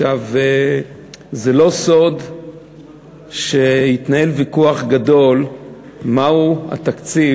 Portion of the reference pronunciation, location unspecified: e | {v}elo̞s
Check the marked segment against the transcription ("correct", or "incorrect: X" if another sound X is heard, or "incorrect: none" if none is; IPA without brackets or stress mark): incorrect: z